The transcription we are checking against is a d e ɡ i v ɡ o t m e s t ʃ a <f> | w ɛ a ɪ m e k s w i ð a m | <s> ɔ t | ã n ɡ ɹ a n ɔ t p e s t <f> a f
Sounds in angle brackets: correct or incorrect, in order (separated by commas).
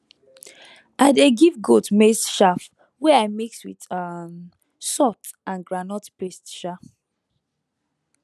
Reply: correct, correct, incorrect